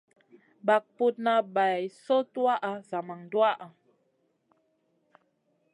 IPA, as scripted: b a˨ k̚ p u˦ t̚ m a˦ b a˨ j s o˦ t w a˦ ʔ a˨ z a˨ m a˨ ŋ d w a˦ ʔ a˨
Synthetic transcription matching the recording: b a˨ k̚ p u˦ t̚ n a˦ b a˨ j s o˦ t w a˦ ʔ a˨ z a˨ m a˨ ŋ d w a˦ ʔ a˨